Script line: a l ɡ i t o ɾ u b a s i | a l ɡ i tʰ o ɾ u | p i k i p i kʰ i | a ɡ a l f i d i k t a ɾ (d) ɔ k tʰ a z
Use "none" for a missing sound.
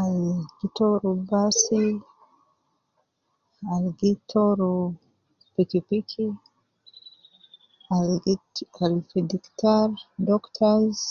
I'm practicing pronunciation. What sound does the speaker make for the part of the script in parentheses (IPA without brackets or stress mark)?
d